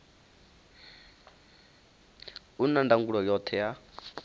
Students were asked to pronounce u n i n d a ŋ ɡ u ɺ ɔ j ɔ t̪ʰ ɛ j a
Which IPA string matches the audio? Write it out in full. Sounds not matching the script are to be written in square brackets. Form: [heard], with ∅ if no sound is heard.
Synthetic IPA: u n [a] n d a ŋ ɡ u ɺ ɔ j ɔ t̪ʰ ɛ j a